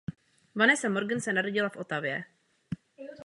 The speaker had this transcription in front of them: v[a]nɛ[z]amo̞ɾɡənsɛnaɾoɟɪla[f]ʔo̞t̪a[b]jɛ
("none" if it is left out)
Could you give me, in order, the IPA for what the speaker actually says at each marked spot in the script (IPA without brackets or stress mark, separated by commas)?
a, s, f, v